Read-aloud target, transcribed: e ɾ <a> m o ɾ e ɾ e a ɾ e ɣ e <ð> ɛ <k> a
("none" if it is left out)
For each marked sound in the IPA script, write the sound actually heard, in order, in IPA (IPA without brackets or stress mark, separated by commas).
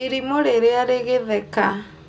i, ð, k